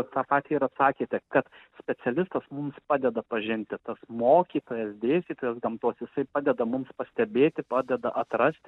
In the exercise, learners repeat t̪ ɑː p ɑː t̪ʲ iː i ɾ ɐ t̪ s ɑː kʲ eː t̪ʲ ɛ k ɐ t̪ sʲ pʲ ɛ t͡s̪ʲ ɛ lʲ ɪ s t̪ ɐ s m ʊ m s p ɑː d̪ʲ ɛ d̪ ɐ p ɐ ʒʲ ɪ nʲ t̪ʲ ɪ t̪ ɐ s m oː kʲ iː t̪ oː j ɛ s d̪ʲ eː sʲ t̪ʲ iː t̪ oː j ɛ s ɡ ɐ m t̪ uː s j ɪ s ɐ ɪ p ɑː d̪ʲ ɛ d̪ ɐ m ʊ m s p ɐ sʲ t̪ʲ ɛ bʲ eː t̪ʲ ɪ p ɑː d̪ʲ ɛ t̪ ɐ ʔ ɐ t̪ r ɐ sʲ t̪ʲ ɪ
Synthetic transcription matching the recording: t̪ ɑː p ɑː t̪ʲ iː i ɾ ɐ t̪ s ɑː kʲ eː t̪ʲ ɛ k ɐ t̪ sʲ pʲ ɛ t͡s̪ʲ ɛ lʲ ɪ s t̪ ɐ s m ʊ m s p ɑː d̪ʲ ɛ d̪ ɐ p ɐ ʒʲ ɪ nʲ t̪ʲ ɪ t̪ ɐ s m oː kʲ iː t̪ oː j ɛ s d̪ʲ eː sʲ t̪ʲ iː t̪ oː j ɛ s ɡ ɐ m t̪ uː s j ɪ s ɐ ɪ p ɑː d̪ʲ ɛ d̪ ɐ m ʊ m s p ɐ sʲ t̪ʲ ɛ bʲ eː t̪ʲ ɪ p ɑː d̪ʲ ɛ d̪ ɐ ʔ ɐ t̪ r ɐ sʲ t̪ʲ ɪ